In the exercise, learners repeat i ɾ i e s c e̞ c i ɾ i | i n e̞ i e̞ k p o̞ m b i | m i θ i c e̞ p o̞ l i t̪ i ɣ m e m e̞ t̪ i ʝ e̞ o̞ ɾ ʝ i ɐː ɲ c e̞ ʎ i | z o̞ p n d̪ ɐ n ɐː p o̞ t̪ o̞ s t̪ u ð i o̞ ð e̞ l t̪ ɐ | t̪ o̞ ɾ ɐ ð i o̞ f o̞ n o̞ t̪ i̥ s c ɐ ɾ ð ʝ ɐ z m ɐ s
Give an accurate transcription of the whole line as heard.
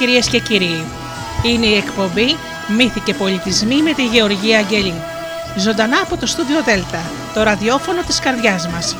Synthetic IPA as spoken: i ɾ i e s c e̞ c i ɾ i | i n e̞ i e̞ k p o̞ m b i | m i θ i c e̞ p o̞ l i t̪ i z m i m e̞ t̪ i ʝ e̞ o̞ ɾ ʝ i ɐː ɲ ɟ e̞ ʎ i | z o̞ n d̪ ɐ n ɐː p o̞ t̪ o̞ s t̪ u ð i o̞ ð e̞ l t̪ ɐ | t̪ o̞ ɾ ɐ ð i o̞ f o̞ n o̞ t̪ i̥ s k ɐ ɾ ð ʝ ɐ z m ɐ s